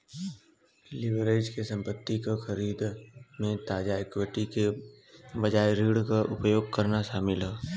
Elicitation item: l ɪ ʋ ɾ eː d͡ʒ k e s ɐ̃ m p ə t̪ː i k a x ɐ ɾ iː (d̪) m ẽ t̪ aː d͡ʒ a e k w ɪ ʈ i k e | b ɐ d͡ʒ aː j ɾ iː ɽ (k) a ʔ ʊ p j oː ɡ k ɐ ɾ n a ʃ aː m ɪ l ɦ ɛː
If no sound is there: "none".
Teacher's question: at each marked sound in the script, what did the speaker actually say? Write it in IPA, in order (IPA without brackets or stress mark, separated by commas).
d̪, k